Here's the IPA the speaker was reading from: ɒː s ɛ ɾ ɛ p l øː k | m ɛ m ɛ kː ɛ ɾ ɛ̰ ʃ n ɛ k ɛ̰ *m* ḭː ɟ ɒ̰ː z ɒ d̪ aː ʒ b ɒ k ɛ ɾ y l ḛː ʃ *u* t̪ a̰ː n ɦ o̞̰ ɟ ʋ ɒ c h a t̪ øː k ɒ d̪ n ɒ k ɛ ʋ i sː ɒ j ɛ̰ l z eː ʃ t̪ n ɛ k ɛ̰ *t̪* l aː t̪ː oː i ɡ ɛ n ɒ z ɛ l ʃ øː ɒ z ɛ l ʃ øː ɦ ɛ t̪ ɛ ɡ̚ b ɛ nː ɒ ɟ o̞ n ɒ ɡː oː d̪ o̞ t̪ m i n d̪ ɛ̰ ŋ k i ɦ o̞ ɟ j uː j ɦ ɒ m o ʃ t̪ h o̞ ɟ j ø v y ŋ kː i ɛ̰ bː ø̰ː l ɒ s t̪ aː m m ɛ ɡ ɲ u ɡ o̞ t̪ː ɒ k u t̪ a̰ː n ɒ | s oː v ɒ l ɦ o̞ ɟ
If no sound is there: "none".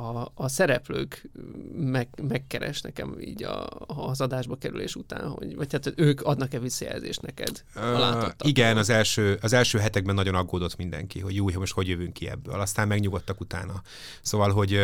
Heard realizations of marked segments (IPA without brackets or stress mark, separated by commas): m, u, d̪